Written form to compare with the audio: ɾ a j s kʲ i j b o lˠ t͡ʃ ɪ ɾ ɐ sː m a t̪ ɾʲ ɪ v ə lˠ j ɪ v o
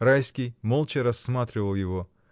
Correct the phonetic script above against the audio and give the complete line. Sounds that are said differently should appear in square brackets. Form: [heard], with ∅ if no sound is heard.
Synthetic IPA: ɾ a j s kʲ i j [m] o lˠ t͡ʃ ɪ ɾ ɐ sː m a t̪ ɾʲ ɪ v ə lˠ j ɪ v o

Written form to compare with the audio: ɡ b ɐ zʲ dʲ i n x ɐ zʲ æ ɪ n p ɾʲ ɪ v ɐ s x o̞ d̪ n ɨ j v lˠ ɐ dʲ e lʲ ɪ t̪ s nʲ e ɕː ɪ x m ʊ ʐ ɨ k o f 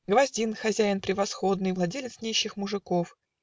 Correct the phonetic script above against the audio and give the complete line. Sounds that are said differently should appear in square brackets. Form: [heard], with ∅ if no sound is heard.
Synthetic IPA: ɡ [v] ɐ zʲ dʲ i n x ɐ zʲ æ ɪ n p ɾʲ ɪ v ɐ s x o̞ d̪ n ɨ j v lˠ ɐ dʲ e lʲ ɪ t̪ s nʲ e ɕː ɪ x m ʊ ʐ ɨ k o f

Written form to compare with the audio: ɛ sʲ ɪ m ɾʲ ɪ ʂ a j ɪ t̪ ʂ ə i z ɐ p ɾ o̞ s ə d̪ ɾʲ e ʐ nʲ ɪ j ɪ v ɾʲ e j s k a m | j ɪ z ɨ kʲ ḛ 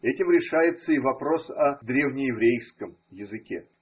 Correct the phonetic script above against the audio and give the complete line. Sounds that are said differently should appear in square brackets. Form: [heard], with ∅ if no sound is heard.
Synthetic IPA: ɛ [tʲ] ɪ m ɾʲ ɪ ʂ a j ɪ t̪ [s] ə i [v] ɐ p ɾ o̞ s [ɐ] d̪ ɾʲ e [v] nʲ ɪ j ɪ v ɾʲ e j s k [ə] m | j ɪ z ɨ kʲ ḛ

